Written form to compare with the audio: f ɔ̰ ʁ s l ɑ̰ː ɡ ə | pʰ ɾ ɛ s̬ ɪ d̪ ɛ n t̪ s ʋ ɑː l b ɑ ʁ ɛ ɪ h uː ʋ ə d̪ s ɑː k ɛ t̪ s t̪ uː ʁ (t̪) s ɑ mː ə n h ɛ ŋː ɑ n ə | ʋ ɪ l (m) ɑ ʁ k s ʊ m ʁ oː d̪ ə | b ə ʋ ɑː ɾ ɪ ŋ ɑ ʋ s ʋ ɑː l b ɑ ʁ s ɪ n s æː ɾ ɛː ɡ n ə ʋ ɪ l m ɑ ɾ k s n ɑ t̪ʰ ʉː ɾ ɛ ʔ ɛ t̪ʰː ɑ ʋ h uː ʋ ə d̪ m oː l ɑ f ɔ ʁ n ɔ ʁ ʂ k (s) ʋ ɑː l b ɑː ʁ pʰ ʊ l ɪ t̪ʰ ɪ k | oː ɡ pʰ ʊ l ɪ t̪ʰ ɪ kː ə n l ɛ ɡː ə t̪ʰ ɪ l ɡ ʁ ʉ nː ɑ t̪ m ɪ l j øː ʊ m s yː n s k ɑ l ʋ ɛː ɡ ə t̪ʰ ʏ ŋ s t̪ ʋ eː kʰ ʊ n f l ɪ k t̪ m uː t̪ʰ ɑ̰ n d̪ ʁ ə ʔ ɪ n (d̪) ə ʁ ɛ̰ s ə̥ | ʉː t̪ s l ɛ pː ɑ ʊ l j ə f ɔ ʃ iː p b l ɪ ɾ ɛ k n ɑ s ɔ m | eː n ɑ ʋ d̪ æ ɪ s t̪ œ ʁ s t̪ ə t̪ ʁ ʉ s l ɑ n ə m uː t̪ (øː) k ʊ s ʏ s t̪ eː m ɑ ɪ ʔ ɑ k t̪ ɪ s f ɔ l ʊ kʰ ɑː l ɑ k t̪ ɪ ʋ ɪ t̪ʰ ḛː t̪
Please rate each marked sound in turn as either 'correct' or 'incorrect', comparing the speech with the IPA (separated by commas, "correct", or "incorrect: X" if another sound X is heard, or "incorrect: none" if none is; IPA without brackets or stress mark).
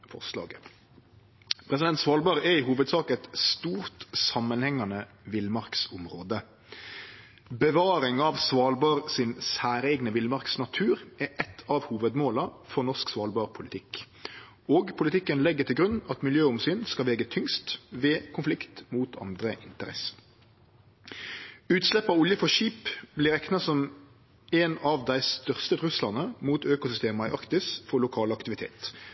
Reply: correct, correct, correct, incorrect: t̪, correct